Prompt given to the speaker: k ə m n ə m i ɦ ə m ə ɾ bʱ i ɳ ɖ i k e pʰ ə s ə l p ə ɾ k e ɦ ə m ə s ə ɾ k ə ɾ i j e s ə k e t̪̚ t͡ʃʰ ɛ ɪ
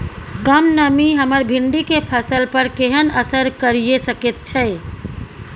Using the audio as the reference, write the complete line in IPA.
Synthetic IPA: k ə m n ə m i ɦ ə m ə ɾ bʱ i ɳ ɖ i k e pʰ ə s ə l p ə ɾ k e ɦ ə n ə s ə ɾ k ə ɾ i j e s ə k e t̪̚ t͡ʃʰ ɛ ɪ